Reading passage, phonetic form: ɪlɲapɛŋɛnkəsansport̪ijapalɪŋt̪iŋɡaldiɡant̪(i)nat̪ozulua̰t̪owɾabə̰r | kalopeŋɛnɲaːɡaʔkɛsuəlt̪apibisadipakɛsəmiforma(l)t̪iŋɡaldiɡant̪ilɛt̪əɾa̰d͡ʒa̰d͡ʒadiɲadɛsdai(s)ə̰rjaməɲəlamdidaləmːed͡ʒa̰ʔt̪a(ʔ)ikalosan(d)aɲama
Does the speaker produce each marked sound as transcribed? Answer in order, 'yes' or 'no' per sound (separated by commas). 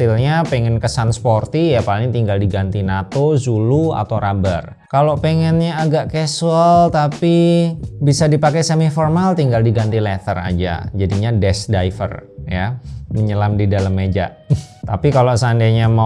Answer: yes, yes, no, no, yes